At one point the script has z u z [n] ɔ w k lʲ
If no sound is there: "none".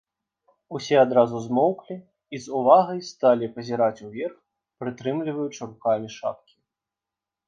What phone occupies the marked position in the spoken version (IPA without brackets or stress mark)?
m